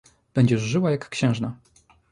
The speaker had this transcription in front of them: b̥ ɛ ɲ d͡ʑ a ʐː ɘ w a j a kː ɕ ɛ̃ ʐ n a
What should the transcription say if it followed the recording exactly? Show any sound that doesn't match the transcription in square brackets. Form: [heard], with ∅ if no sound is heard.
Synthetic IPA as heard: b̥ ɛ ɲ d͡ʑ [ɛ] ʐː ɘ w a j a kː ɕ ɛ̃ ʐ n a